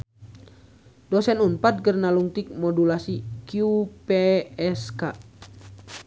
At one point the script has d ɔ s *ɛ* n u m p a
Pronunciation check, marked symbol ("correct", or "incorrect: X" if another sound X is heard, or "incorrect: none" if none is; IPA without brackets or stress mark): correct